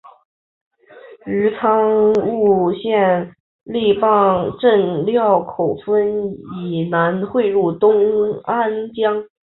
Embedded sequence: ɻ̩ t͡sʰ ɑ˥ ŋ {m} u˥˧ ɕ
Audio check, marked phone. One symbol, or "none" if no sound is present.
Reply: ŋ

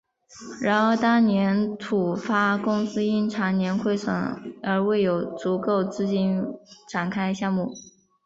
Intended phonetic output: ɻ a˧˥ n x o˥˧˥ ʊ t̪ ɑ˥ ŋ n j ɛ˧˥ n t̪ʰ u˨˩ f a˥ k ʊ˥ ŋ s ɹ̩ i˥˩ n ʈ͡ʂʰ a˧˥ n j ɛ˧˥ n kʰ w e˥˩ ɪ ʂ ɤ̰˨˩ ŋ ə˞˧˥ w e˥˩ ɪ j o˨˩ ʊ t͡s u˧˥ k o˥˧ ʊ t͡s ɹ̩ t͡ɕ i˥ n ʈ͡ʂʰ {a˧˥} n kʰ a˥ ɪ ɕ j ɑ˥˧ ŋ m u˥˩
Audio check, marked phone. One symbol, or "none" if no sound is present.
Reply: a˨˩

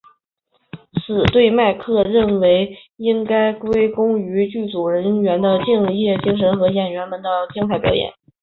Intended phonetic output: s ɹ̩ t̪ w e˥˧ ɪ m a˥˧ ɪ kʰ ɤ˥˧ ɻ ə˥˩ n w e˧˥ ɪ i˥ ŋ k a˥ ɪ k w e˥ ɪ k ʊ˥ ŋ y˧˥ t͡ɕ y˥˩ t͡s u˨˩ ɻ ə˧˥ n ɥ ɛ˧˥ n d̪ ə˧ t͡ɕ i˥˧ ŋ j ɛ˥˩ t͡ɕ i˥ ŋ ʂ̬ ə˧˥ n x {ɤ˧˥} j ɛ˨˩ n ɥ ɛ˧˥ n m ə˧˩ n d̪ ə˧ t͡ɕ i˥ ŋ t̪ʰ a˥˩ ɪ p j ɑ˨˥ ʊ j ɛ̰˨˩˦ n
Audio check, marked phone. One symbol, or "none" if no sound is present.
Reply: ɤ˧˥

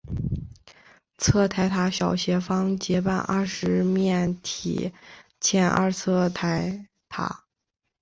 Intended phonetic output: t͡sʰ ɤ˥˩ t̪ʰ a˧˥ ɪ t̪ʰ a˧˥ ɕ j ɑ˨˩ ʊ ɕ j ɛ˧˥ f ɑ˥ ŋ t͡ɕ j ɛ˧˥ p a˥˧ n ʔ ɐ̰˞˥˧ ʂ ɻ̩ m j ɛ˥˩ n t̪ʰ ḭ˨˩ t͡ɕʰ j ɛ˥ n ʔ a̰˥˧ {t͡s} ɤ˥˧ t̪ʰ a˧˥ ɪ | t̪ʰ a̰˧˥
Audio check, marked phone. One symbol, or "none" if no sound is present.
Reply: t͡sʰ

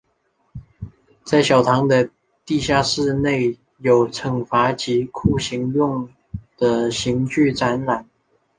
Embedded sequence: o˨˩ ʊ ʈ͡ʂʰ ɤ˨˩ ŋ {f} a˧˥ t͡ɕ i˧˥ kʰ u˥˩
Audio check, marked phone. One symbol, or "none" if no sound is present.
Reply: f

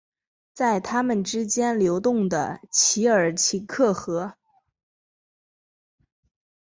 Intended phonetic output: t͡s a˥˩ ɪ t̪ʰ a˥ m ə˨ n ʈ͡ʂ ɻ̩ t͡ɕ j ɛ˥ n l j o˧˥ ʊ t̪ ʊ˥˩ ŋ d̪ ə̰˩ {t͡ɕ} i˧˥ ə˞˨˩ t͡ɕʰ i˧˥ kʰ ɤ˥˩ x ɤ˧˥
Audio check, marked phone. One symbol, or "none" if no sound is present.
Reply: t͡ɕʰ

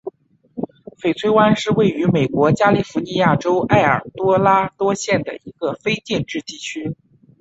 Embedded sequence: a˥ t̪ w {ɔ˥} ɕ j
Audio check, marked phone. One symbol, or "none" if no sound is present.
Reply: ɔ˥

